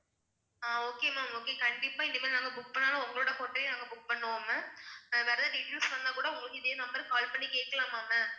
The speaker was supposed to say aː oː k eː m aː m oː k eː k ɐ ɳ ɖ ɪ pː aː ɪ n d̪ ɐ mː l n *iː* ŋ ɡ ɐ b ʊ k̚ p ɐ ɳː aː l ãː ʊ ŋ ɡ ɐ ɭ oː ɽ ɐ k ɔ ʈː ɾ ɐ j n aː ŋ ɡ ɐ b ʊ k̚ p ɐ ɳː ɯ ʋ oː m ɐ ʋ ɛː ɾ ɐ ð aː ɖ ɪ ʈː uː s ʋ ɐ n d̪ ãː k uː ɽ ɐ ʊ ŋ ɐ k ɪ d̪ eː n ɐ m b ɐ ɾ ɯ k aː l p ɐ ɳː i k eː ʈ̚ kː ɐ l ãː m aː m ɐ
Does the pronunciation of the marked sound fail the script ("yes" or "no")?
yes